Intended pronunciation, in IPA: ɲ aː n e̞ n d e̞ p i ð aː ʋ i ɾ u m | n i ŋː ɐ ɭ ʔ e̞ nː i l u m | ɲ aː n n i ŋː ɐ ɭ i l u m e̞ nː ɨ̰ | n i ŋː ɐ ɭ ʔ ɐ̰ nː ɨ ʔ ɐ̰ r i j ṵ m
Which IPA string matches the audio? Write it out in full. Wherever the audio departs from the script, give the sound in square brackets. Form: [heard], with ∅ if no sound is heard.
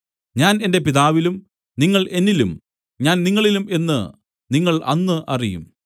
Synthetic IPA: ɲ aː n e̞ n d e̞ p i ð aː ʋ i [l] u m | n i ŋː ɐ ɭ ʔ e̞ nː i l u m | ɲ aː n n i ŋː ɐ ɭ i l u m e̞ nː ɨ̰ | n i ŋː ɐ ɭ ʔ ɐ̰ nː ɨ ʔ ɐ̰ r i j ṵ m